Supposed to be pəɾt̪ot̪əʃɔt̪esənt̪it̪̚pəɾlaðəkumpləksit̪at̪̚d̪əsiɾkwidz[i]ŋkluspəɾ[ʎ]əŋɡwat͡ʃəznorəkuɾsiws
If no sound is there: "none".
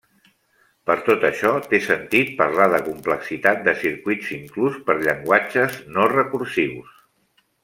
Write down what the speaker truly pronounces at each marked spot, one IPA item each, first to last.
i, ʎ

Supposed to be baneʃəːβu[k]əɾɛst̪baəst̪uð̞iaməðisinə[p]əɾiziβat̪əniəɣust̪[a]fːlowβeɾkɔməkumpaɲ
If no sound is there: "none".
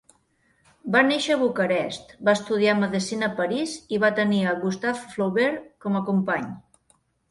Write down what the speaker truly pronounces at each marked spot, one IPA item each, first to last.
k, p, a

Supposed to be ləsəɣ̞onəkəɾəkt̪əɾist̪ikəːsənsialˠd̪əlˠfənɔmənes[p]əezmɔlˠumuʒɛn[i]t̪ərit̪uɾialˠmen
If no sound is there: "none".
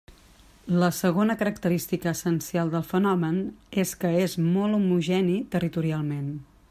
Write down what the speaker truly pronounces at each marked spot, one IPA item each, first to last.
k, i

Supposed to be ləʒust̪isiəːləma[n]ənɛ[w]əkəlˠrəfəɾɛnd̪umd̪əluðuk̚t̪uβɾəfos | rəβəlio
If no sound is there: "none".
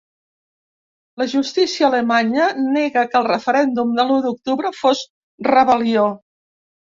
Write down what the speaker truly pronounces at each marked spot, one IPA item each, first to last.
ɲ, ɣ

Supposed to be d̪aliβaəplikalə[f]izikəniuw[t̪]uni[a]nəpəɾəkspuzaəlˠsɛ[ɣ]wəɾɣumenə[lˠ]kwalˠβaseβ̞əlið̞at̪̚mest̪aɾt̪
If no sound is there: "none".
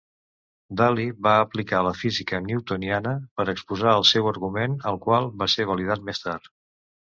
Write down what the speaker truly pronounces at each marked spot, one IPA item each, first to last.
f, t̪, a, none, lˠ

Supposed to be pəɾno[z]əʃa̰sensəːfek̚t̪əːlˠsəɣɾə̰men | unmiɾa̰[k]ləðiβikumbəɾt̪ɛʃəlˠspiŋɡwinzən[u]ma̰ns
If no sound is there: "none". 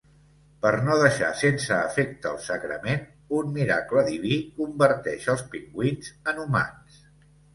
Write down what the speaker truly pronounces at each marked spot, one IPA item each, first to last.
ð, k, u

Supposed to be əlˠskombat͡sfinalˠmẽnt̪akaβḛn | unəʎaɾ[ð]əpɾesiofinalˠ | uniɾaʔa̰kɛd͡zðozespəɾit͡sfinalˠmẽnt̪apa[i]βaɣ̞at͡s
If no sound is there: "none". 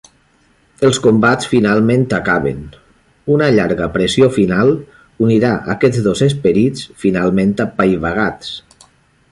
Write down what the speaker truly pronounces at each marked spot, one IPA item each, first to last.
ɣ, j

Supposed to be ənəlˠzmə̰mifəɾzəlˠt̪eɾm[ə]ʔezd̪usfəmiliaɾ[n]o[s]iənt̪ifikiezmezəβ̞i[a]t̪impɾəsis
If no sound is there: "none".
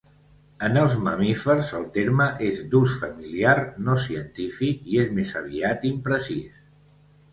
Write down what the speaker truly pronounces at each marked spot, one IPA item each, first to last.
ə, n, s, a

